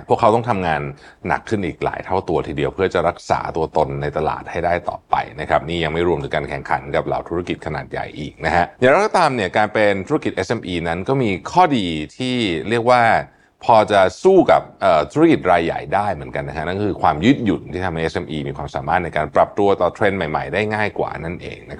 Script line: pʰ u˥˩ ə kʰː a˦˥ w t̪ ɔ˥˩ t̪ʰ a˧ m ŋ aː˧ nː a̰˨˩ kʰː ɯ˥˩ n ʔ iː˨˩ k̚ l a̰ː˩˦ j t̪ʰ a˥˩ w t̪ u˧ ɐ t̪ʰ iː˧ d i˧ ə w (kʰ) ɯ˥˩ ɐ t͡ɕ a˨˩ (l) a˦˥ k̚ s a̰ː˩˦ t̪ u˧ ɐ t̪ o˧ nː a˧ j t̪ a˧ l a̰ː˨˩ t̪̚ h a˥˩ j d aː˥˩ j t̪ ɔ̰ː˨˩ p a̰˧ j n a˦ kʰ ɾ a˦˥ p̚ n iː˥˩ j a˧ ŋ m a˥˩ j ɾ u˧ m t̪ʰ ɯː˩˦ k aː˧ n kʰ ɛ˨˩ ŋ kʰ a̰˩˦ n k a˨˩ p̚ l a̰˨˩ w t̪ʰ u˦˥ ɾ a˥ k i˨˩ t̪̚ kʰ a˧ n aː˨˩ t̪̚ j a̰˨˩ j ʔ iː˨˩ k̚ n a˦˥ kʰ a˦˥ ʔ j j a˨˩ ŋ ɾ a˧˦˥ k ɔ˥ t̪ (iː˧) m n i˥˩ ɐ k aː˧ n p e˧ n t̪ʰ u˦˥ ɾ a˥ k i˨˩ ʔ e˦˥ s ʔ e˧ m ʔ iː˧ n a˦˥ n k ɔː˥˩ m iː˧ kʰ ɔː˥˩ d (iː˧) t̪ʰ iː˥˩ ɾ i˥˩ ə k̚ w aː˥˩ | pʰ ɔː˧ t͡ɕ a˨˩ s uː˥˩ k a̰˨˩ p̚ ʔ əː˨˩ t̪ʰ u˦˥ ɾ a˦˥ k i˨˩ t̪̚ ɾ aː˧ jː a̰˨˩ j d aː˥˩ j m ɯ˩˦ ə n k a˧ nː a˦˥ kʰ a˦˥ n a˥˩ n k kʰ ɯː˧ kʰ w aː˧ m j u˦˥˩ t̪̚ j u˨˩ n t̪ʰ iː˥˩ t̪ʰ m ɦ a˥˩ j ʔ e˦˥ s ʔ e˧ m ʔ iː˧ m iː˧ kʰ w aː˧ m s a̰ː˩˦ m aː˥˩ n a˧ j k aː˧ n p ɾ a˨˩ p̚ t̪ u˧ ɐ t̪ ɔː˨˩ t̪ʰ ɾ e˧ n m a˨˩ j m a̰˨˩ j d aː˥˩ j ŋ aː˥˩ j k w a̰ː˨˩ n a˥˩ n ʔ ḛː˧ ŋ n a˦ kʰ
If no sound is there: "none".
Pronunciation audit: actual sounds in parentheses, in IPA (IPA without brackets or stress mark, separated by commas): pʰ, ɾ, aː˧, iː˧